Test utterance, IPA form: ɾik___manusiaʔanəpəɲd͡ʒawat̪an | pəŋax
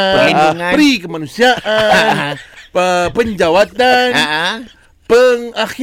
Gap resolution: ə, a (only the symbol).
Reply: ə